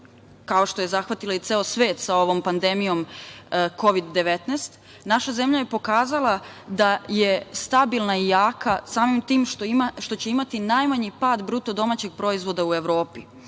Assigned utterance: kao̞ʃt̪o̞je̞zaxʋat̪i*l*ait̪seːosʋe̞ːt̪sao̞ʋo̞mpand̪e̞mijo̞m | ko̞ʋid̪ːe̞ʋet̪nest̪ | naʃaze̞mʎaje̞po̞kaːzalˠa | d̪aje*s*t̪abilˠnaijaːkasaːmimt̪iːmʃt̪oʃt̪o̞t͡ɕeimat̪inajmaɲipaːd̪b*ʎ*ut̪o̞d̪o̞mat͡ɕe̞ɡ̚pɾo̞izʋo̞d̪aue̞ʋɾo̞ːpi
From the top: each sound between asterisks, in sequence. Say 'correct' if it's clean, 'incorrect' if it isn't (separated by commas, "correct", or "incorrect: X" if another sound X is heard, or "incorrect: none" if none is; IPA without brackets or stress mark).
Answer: correct, correct, incorrect: ɾ